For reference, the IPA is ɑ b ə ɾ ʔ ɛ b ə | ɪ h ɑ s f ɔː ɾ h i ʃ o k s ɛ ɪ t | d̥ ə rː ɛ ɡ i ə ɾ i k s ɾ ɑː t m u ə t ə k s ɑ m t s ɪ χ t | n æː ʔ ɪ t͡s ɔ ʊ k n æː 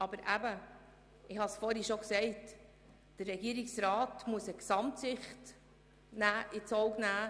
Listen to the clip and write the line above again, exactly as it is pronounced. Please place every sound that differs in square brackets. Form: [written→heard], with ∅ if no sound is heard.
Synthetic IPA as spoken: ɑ b ə ɾ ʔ [ɛ→æ] b ə | ɪ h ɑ s f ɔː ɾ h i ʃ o k s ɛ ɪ t | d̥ ə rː ɛ ɡ i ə ɾ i k s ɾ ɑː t m u ə [t→s] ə k s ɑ m t s ɪ χ t | n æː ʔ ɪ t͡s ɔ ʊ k n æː